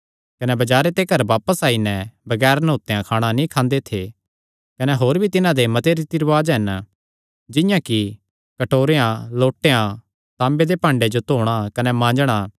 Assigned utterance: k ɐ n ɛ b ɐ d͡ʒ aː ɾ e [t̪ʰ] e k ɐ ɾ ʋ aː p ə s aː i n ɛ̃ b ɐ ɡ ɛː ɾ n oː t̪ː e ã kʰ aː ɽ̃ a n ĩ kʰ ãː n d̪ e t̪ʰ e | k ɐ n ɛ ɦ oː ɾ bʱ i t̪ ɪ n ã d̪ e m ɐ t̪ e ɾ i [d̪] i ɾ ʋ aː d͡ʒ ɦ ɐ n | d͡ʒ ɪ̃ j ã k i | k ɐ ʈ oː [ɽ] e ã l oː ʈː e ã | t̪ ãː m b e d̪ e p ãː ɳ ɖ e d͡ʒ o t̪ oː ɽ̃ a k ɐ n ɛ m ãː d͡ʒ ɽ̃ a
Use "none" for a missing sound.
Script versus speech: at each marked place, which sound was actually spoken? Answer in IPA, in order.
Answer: t̪, t̪, ɾ

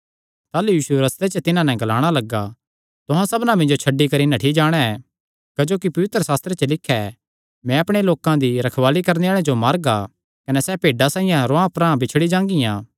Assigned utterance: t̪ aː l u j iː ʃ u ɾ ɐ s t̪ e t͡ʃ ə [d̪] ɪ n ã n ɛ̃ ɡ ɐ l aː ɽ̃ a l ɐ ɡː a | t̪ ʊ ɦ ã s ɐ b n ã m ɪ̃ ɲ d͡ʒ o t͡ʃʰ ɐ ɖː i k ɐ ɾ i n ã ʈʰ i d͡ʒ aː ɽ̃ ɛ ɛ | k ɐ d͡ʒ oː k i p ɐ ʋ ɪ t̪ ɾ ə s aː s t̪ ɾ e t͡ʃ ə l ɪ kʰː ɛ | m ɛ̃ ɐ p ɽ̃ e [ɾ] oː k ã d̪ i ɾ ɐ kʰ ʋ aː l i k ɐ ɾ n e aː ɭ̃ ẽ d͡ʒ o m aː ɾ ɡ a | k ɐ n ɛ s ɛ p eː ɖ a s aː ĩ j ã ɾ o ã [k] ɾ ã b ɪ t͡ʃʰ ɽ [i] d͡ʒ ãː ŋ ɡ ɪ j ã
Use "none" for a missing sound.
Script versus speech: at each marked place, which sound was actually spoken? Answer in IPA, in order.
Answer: t̪, l, p, i

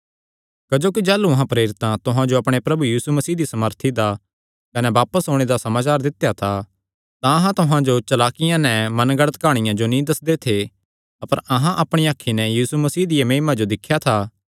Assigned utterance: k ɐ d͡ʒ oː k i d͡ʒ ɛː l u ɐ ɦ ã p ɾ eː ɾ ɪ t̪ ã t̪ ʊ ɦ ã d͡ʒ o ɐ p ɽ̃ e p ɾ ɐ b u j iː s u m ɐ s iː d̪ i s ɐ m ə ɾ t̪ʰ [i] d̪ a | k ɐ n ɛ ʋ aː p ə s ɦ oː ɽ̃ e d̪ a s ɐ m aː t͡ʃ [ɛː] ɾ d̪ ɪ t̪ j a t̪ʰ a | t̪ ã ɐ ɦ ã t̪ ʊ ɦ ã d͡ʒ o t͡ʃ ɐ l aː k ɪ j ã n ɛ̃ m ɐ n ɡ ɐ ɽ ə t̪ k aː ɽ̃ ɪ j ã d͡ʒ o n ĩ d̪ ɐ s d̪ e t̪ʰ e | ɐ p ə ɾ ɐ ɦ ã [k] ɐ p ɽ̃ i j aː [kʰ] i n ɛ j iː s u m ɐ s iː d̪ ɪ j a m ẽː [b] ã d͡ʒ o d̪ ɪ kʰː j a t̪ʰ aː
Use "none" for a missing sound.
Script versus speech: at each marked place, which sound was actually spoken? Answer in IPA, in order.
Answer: i, aː, ʔ, kʰ, m

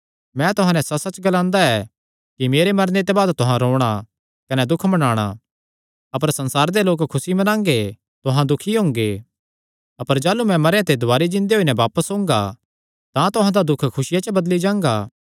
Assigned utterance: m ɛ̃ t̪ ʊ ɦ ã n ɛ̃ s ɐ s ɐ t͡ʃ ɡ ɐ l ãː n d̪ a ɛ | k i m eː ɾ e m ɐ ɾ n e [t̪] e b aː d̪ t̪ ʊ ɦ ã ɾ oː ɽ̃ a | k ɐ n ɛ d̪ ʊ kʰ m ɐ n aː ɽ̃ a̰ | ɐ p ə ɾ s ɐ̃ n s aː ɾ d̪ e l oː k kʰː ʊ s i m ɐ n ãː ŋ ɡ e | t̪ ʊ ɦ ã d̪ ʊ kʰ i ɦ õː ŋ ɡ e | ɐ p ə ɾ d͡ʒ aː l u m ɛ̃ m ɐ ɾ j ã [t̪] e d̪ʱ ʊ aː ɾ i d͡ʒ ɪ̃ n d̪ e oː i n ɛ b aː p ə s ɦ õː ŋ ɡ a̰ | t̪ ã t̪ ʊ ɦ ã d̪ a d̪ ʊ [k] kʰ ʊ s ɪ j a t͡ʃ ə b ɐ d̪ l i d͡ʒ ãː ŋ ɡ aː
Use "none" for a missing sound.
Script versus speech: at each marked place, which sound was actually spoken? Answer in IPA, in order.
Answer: t̪, t̪, kʰ

